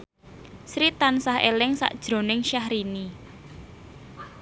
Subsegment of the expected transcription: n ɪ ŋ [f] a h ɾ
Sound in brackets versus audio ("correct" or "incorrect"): incorrect